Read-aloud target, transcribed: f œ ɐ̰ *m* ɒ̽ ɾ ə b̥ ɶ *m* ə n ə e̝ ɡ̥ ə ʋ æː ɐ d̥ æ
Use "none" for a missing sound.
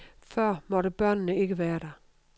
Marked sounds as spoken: m, n

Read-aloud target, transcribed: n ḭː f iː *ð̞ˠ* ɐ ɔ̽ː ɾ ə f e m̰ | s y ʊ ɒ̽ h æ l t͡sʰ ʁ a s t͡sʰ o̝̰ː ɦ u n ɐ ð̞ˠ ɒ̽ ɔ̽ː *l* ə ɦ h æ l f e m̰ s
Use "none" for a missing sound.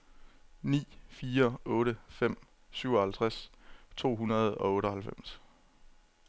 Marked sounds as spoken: none, ɾ

